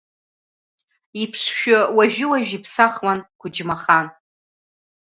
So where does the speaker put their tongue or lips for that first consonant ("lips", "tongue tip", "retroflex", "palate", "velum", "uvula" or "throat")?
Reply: lips